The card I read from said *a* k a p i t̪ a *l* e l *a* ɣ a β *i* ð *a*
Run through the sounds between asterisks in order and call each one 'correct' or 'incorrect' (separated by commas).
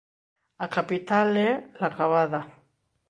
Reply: correct, correct, correct, incorrect, correct